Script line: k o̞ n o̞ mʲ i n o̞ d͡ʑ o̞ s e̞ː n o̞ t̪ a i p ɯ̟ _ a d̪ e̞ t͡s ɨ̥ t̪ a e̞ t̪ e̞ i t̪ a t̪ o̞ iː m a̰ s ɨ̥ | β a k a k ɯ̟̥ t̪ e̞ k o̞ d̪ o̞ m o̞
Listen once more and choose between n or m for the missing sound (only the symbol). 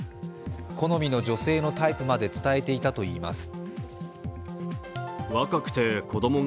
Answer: m